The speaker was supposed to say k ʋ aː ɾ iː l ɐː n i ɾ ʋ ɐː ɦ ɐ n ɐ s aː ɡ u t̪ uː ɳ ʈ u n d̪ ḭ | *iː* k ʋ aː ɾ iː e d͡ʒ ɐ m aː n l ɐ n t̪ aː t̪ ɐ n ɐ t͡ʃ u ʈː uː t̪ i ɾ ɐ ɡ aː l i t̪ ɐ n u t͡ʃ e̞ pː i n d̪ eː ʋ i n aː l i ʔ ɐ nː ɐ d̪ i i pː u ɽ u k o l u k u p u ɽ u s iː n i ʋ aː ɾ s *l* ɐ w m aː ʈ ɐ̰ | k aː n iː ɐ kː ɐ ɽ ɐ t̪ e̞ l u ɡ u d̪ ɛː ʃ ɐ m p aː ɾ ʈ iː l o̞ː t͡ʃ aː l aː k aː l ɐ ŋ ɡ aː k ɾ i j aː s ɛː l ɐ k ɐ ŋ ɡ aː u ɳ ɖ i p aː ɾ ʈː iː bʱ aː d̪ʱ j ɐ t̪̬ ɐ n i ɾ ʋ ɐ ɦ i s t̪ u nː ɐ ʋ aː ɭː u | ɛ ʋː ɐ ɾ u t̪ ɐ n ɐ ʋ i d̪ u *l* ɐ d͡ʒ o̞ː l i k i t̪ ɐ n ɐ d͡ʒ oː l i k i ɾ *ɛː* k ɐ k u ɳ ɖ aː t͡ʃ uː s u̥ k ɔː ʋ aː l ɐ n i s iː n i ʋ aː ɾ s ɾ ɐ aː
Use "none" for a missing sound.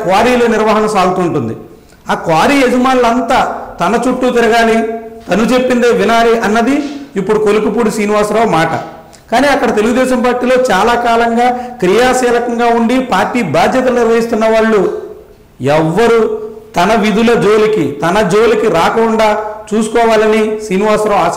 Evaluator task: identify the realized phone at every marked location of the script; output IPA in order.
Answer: aː, ɾ, l, aː

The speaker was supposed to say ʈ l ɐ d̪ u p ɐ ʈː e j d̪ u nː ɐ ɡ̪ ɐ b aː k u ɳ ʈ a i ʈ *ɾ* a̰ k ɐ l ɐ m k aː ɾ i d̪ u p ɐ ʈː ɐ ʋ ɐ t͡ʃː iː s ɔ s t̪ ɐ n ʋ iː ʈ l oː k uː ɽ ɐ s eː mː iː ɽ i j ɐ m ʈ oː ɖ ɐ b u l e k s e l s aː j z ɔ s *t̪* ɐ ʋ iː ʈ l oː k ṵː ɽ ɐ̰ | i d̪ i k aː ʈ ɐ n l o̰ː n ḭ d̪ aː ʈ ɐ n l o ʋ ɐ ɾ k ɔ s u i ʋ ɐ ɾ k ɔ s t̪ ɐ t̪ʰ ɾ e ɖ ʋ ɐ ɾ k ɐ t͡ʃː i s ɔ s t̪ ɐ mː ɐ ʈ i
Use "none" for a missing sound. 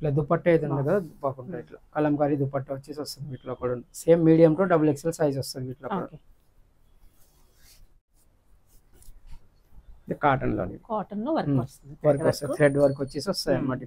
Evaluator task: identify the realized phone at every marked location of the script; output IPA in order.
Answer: l, t̪

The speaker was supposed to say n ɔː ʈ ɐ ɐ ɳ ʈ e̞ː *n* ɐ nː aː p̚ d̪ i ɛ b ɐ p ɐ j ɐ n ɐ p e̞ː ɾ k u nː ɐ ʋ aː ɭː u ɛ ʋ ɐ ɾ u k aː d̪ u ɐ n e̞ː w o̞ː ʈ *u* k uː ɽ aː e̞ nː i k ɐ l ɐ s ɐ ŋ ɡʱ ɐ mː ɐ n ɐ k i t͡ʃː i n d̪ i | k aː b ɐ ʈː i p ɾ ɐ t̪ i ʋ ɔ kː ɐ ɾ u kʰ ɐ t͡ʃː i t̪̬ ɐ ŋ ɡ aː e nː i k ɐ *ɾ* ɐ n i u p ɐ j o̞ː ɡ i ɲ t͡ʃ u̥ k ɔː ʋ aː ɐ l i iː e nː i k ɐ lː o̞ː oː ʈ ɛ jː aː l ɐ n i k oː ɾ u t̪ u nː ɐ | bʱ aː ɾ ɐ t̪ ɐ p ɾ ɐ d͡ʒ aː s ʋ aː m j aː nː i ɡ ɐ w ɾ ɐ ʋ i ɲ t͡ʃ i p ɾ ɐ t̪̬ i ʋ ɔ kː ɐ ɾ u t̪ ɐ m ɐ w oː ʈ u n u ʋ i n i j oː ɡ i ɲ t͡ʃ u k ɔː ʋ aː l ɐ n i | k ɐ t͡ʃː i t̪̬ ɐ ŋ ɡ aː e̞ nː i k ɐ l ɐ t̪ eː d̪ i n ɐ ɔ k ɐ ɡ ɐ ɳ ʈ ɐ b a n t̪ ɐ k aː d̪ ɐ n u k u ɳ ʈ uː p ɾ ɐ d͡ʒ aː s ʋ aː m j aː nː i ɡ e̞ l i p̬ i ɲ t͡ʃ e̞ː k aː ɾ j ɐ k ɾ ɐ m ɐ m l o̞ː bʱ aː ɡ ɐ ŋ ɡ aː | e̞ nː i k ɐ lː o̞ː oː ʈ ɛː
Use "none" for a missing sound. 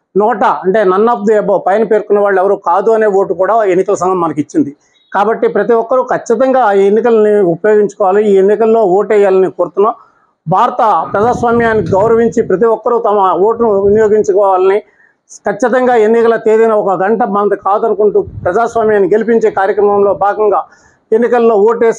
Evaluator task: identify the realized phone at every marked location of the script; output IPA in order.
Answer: n, u, l

